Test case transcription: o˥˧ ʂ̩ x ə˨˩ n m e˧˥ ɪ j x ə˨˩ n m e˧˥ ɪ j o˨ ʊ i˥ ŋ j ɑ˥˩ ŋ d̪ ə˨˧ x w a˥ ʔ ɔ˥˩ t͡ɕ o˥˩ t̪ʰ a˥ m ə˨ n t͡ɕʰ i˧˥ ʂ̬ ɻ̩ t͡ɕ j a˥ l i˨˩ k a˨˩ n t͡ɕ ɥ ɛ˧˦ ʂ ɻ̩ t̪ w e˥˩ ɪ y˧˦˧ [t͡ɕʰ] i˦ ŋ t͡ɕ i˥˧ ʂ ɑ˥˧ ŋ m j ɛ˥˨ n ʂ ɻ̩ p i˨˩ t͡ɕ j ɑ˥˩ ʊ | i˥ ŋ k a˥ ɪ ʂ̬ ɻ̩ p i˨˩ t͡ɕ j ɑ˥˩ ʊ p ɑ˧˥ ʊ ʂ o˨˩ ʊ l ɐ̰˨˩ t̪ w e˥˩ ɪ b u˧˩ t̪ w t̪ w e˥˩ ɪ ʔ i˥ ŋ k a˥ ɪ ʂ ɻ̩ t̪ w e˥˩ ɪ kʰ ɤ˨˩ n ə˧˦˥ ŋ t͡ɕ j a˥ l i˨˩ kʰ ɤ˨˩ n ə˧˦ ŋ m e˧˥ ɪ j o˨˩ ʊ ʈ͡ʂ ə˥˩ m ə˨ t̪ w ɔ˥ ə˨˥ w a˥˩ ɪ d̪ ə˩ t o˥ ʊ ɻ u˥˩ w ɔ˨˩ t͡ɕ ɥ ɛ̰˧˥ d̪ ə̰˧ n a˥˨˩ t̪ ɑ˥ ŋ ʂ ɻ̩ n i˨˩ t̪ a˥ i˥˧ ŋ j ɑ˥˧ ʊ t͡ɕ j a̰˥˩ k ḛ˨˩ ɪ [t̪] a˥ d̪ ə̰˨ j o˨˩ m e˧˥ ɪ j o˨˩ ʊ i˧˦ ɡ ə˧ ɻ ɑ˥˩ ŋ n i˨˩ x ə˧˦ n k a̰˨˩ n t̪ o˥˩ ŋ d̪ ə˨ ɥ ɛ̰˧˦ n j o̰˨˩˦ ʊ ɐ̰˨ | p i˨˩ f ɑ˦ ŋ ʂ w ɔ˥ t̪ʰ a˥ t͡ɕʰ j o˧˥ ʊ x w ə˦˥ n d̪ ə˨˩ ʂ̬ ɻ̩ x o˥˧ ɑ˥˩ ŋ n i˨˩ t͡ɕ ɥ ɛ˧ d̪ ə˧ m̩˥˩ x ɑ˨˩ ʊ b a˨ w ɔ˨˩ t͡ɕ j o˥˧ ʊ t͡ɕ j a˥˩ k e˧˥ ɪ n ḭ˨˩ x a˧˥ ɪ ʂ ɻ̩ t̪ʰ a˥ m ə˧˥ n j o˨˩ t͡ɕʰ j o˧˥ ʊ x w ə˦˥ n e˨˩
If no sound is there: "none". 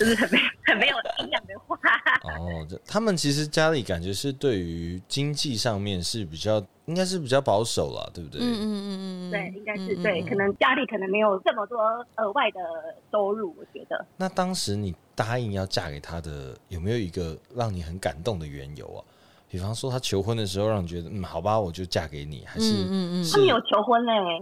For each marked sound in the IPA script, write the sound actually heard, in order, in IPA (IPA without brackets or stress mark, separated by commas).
t͡ɕ, t̪ʰ